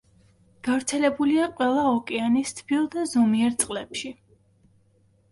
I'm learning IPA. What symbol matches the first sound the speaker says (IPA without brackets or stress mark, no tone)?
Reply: ɡ̥